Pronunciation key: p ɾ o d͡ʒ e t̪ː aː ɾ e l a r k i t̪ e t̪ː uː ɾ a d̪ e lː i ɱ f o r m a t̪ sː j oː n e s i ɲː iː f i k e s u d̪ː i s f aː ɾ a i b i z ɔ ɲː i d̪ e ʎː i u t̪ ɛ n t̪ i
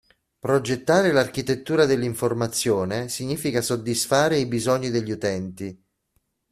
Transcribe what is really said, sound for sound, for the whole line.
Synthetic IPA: p ɾ o d͡ʒ e t̪ː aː ɾ e l a r k i t̪ e t̪ː uː ɾ a d̪ e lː i ɱ f o r m a t̪ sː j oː n e s i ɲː iː f i k a s o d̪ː i s f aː ɾ e i b i z ɔ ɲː i d̪ e ʎː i u t̪ ɛ n t̪ i